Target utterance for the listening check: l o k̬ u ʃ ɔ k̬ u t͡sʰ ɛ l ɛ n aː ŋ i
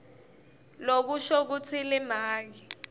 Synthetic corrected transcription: l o k̬ u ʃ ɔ k̬ u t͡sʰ i l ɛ m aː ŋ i